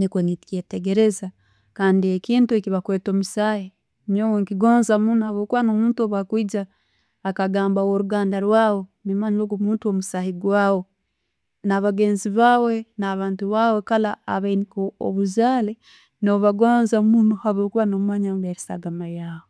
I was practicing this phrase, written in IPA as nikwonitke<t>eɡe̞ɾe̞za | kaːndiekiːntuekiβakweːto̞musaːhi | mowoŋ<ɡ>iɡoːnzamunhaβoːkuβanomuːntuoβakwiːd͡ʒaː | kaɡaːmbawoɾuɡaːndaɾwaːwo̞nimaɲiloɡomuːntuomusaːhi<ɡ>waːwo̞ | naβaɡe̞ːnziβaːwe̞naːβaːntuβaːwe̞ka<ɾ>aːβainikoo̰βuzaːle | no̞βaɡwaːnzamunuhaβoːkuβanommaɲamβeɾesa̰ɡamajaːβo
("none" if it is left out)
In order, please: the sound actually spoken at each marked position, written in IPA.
t, k, ɡ, l

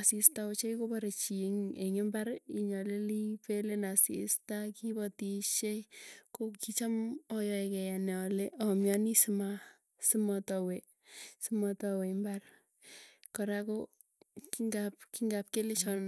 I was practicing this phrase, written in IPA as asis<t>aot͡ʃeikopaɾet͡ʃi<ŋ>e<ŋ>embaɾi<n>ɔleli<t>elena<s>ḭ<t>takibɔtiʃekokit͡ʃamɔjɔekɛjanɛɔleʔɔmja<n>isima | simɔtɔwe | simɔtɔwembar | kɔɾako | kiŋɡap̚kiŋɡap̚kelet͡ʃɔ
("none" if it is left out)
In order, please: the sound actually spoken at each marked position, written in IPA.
t, ŋ, ŋ, ɲ, p, s, s, n

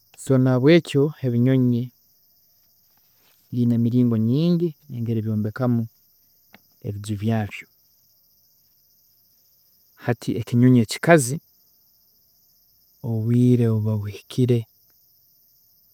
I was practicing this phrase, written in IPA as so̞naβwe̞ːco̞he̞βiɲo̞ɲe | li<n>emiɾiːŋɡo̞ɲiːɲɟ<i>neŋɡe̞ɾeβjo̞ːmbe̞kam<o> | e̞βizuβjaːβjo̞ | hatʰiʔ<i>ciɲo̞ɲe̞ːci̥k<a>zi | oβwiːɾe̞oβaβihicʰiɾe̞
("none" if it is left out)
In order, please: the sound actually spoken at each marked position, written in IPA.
n, i, u, e, a

